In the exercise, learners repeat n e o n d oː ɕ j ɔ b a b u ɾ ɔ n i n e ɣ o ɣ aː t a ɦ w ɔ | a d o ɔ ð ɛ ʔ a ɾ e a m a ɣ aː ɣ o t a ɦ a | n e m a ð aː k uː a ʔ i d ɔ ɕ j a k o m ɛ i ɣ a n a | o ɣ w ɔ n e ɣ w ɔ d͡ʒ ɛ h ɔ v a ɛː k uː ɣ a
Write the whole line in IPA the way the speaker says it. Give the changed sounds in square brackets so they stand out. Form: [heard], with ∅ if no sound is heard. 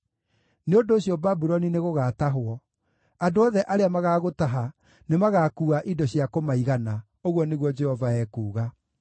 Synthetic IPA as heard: n e o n d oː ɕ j ɔ b a b u ɾ ɔ n i n e ɣ o ɣ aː t a ɦ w ɔ | a d o ɔ ð ɛ ʔ a ɾ e a m a ɣ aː ɣ o t a ɦ a | n e m a [ɣ] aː k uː a ʔ i d ɔ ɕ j a k o m [a] i ɣ a n a | o ɣ w ɔ n e ɣ w ɔ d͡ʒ ɛ h ɔ v a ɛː k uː ɣ a